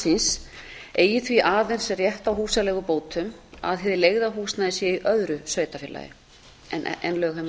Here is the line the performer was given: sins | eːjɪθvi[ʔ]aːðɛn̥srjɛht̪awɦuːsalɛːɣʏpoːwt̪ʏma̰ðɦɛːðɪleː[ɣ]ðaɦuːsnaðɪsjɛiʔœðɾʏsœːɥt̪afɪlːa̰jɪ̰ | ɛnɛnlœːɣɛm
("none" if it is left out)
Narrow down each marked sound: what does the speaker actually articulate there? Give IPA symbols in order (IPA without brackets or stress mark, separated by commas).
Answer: ʔ, ɣ